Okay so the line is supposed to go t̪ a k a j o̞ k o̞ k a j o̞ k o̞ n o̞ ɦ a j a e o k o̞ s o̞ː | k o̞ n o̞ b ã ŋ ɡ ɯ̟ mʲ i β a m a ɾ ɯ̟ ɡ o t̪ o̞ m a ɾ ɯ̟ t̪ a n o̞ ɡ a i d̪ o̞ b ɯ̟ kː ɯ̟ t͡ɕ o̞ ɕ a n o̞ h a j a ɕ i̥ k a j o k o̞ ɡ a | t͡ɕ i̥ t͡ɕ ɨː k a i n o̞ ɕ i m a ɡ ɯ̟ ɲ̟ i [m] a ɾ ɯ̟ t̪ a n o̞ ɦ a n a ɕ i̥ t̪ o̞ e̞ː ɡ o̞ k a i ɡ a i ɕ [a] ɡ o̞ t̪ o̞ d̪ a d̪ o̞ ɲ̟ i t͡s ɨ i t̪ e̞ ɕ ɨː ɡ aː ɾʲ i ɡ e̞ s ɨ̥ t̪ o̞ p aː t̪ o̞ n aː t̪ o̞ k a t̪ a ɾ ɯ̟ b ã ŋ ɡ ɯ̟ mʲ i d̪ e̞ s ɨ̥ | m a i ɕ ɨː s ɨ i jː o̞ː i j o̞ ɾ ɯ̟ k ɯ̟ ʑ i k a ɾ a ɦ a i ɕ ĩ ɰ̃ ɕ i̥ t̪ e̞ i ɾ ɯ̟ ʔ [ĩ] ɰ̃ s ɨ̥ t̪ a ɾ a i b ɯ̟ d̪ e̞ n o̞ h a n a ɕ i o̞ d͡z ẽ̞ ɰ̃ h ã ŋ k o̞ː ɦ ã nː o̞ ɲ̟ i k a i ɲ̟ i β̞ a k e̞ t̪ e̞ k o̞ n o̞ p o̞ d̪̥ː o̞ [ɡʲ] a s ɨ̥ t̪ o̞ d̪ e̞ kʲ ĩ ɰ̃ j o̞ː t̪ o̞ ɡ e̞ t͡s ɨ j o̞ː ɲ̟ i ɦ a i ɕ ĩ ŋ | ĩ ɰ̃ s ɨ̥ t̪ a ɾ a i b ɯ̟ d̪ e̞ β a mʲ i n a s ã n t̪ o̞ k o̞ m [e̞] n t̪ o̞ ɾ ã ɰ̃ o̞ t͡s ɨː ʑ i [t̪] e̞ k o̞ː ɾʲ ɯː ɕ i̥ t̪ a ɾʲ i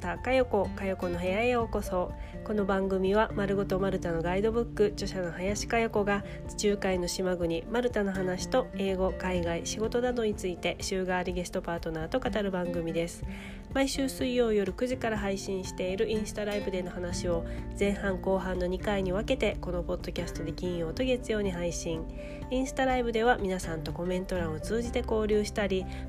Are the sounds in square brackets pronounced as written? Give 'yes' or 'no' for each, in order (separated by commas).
yes, no, yes, no, no, yes